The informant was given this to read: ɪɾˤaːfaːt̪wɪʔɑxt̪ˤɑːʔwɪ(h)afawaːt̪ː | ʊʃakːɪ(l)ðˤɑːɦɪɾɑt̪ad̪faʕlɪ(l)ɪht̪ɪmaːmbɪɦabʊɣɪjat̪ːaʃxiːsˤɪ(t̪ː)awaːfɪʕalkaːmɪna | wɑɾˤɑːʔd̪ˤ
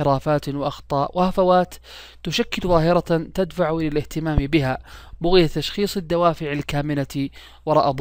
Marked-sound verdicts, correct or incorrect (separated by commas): correct, correct, correct, incorrect